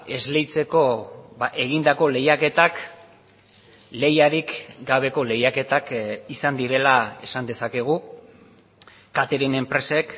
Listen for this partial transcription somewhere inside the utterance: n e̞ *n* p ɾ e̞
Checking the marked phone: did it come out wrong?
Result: yes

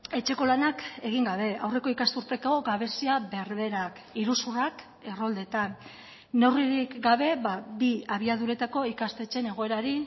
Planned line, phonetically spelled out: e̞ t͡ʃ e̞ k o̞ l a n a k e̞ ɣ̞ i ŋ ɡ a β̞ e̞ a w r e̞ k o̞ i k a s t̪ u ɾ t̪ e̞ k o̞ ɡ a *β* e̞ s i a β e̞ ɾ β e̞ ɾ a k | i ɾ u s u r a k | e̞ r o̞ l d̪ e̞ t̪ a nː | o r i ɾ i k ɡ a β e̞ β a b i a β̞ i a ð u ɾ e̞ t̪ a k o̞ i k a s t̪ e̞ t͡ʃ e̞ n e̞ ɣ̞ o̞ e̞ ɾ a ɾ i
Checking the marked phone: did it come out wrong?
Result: no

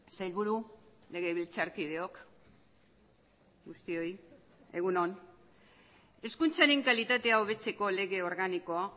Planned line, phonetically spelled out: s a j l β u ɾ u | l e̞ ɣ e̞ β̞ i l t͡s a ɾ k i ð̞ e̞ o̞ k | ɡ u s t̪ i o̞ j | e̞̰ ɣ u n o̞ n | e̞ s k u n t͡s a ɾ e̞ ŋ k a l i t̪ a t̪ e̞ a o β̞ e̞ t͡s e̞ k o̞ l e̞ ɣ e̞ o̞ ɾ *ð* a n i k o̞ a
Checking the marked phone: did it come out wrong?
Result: yes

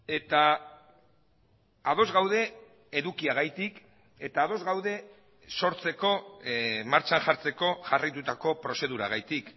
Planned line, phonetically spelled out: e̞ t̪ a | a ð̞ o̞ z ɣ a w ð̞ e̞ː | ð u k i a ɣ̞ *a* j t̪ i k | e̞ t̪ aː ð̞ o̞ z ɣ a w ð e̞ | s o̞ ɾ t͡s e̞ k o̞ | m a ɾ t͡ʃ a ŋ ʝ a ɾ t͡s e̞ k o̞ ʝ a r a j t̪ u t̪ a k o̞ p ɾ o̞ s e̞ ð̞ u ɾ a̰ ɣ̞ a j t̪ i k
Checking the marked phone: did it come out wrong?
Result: no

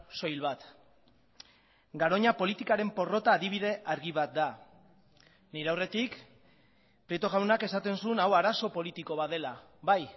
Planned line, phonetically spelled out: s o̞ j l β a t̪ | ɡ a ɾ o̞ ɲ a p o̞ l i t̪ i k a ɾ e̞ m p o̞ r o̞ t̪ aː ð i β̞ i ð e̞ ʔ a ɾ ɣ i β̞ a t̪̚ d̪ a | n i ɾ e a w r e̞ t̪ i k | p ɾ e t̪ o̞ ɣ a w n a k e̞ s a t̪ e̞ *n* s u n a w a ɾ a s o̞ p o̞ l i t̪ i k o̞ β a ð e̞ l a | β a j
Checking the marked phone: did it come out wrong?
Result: no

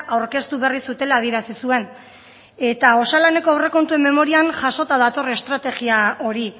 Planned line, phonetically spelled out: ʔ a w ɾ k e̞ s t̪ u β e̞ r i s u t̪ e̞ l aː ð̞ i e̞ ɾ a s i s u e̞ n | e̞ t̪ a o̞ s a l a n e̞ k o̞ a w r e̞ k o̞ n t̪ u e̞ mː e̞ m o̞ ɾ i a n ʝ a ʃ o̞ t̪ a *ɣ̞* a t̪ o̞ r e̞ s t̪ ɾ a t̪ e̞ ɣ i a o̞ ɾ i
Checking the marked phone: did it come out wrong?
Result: yes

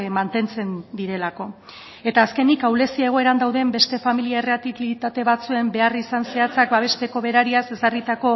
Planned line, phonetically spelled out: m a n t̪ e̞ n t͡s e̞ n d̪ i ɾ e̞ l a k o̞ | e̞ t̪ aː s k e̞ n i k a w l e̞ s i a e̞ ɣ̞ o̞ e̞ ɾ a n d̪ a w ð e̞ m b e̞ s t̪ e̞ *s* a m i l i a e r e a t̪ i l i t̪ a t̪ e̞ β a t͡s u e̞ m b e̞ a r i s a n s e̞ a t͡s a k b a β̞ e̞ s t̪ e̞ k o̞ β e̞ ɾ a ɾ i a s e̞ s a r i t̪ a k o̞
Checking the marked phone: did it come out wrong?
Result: yes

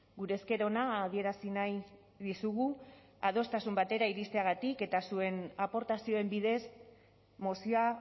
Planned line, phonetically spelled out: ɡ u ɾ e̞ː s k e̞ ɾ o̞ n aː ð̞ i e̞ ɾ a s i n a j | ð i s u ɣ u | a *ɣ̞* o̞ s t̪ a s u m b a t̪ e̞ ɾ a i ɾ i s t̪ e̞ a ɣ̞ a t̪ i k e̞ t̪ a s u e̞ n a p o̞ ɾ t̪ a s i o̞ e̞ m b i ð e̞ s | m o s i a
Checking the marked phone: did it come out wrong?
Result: yes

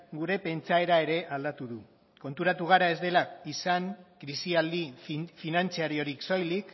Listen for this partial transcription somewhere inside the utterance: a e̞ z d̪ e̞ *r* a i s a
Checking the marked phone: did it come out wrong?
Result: yes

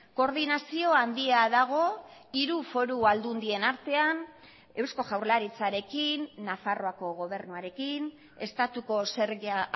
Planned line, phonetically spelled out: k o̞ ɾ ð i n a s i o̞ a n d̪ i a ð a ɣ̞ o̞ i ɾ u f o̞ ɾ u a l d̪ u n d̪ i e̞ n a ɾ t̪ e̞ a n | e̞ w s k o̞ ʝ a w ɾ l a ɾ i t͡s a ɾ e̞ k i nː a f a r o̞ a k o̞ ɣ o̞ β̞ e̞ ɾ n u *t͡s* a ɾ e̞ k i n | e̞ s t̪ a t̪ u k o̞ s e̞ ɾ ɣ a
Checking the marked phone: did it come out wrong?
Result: yes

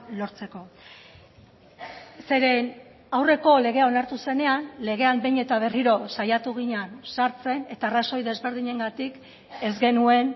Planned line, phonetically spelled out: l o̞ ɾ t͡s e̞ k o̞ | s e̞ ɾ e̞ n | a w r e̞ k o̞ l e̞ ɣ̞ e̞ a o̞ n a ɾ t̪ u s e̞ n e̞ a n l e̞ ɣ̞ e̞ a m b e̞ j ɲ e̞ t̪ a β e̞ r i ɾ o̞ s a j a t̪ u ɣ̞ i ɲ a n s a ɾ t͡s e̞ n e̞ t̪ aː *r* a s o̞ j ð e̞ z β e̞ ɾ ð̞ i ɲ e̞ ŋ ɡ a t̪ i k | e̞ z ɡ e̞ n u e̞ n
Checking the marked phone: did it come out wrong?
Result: no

